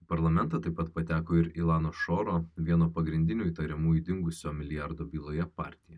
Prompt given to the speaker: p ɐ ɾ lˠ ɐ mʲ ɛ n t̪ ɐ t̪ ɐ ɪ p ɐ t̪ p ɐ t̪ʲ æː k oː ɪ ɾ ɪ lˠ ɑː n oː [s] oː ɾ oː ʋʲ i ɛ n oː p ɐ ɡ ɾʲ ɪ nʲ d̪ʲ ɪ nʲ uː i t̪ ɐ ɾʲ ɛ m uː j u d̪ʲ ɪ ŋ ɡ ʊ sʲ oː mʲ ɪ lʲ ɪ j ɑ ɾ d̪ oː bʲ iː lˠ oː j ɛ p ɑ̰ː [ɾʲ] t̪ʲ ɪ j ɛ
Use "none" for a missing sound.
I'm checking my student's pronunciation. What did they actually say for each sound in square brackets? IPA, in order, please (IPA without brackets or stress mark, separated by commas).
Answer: ʃ, ɾʲ